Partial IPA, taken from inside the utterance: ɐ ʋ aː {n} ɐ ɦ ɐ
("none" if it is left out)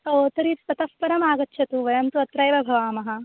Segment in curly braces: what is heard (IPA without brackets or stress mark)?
m